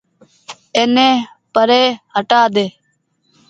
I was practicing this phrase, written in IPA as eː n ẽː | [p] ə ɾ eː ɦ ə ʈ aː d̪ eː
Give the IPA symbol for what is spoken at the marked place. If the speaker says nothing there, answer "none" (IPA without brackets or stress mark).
p